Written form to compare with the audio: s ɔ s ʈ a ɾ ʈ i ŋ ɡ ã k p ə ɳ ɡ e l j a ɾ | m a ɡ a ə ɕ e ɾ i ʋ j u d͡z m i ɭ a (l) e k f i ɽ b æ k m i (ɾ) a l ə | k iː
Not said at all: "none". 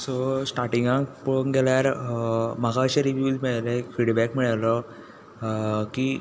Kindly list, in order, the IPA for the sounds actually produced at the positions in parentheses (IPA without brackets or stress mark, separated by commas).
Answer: l, ɭ